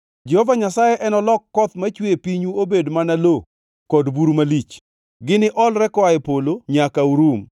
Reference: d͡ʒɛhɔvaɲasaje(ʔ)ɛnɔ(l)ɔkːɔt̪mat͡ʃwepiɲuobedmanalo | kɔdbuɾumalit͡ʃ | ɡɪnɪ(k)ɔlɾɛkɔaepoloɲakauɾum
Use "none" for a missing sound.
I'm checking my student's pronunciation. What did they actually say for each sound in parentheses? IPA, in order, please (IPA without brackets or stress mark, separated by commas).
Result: ʔ, l, ʔ